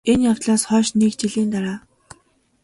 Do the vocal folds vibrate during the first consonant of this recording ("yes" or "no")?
yes